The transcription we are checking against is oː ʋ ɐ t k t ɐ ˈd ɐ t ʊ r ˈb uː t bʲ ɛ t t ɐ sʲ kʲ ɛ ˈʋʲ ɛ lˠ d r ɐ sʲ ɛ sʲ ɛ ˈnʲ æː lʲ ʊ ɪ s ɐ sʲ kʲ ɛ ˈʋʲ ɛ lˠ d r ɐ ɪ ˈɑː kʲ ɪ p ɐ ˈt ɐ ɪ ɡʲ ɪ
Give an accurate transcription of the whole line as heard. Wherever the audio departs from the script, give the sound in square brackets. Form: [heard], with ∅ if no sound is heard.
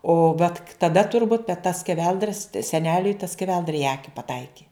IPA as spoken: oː ʋ ɐ t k t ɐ ˈd ɐ t ʊ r ˈb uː t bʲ ɛ t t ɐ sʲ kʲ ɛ ˈʋʲ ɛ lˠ d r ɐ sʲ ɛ sʲ ɛ ˈnʲ æː lʲ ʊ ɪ [t] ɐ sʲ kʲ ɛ ˈʋʲ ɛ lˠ d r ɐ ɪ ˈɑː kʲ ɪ p ɐ ˈt ɐ ɪ [kʲ] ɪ